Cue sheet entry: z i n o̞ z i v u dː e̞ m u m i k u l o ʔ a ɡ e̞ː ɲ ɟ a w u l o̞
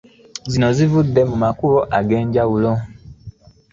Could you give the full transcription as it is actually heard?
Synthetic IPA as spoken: z i n o̞ z i v u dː e̞ m u m a k u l o ʔ a ɡ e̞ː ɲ ɟ a w u l o̞